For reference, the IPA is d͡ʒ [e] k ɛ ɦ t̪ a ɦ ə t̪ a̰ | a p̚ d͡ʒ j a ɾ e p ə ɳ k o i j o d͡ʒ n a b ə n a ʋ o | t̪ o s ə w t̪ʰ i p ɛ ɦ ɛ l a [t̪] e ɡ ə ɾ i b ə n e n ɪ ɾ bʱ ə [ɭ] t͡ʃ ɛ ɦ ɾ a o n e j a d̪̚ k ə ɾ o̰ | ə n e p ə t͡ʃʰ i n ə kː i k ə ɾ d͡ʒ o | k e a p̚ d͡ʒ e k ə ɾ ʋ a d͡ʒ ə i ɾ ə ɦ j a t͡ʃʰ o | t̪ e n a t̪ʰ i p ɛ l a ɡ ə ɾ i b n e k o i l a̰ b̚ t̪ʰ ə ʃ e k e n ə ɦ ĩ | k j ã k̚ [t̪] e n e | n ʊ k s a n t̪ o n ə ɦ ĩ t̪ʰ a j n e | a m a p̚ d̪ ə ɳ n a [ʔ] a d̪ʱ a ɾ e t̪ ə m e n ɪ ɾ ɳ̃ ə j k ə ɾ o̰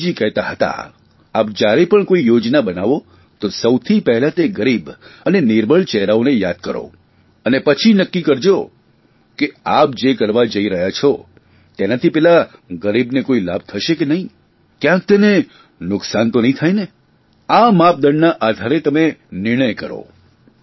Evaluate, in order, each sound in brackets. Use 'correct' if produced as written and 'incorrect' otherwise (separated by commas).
incorrect, correct, correct, correct, correct